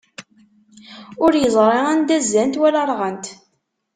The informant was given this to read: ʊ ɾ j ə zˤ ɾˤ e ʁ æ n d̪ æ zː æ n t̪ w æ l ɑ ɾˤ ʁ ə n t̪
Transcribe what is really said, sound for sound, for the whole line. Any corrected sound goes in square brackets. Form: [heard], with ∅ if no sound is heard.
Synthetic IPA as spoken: ʊ ɾ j ə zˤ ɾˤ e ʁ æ n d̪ æ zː æ n t̪ w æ l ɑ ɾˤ ʁ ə n t̪

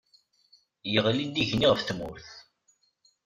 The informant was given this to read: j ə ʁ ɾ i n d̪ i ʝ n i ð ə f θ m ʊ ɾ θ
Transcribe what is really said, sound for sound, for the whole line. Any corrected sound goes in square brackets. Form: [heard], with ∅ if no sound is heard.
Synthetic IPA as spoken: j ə ʁ [l] i n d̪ i ʝ n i [ʁ] ə f θ m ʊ ɾ θ

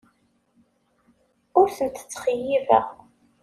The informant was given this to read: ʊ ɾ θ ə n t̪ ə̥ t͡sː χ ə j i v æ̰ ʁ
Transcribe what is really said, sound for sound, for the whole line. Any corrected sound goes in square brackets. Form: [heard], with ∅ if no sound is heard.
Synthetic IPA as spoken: ʊ ɾ θ ə n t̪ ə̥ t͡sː χ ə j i v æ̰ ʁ

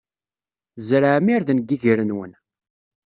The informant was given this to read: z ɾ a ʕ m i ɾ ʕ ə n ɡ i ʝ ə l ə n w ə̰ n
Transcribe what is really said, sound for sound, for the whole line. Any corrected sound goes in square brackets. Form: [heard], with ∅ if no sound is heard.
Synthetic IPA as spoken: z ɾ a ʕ m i ɾ [ð] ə n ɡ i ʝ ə [ɾ] ə n w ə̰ n

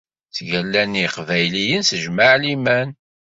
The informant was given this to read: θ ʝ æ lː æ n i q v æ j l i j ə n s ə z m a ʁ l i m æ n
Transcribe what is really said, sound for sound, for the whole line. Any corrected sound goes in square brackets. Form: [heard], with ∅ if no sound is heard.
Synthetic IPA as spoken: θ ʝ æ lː æ n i q v æ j l i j ə n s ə [ʒ] m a [ʕ] l i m æ n

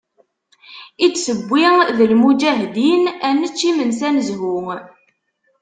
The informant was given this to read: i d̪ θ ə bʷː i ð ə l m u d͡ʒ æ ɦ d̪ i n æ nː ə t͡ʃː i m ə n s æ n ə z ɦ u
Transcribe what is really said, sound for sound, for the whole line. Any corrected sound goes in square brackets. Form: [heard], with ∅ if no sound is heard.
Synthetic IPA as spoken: i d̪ [s] ə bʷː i ð ə l m u d͡ʒ æ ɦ d̪ i n æ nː ə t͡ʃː i m ə n s æ n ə z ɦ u

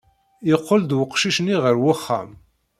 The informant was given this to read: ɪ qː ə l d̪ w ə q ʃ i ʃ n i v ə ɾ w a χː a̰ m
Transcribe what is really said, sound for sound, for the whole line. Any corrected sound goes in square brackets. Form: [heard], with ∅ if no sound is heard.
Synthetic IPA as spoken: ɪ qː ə l d̪ w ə q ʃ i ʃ n i [ʁ] ə ɾ w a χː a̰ m

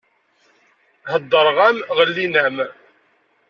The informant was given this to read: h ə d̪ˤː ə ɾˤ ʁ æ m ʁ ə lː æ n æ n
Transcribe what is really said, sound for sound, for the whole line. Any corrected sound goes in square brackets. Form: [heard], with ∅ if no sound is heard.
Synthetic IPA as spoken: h ə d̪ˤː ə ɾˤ ʁ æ m ʁ ə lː [i] n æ [m]

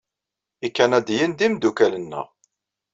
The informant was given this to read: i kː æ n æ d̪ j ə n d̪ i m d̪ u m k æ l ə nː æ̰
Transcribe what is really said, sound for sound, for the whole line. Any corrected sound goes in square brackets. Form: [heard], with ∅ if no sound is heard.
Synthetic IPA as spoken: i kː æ n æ d̪ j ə n d̪ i m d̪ u [∅] k æ l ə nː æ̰

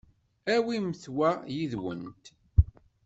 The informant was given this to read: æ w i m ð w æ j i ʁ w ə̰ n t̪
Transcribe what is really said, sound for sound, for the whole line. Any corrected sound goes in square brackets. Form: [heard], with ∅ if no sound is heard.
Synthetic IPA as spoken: æ w i m [θ] w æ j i [ð] w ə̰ n t̪

